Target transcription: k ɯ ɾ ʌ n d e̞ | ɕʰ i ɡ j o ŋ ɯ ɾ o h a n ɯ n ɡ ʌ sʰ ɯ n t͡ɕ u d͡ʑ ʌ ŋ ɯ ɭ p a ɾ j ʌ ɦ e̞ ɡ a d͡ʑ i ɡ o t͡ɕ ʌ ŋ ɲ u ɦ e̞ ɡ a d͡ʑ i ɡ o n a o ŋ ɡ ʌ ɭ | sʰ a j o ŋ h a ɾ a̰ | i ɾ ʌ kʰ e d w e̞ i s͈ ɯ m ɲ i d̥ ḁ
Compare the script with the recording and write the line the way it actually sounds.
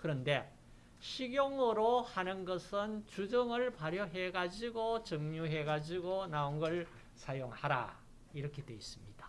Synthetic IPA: k ɯ ɾ ʌ n d e̞ | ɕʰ i ɡ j o ŋ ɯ ɾ o h a n ɯ n ɡ ʌ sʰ ɯ n t͡ɕ u d͡ʑ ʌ ŋ ɯ ɭ p a ɾ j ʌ ɦ e̞ ɡ a d͡ʑ i ɡ o t͡ɕ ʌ ŋ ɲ u ɦ e̞ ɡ a d͡ʑ i ɡ o n a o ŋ ɡ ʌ ɭ | sʰ a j o ŋ h a ɾ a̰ | i ɾ ʌ kʰ e d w e̞ i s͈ ɯ m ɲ i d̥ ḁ